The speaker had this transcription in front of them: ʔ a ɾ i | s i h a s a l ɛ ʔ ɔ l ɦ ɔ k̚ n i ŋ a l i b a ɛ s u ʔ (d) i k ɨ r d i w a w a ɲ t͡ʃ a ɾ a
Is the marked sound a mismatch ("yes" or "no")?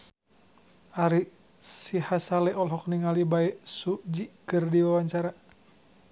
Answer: yes